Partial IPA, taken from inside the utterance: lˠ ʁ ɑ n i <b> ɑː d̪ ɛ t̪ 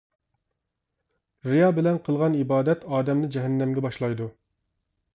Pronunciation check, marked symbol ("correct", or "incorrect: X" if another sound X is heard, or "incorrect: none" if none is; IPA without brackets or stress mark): correct